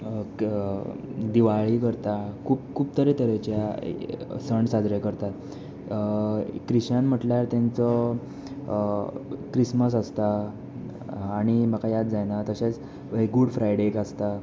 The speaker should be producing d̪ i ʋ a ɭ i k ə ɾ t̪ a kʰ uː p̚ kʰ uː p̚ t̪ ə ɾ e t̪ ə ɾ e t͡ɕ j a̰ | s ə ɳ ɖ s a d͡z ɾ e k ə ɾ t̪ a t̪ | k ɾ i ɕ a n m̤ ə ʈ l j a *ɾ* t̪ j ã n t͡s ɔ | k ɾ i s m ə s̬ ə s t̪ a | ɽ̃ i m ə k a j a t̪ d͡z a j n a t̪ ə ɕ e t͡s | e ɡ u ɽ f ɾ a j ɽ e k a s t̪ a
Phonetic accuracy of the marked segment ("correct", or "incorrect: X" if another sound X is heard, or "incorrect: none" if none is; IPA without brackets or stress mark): correct